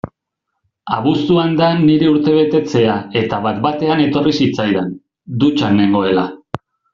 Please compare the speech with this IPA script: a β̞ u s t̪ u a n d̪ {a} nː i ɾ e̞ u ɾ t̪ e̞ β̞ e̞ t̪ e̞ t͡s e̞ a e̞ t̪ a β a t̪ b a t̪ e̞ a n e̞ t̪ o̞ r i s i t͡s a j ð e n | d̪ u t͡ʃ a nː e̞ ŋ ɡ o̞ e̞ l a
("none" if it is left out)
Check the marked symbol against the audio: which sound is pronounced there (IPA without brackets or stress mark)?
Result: a